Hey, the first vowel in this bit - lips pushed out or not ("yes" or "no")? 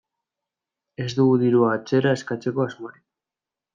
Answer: no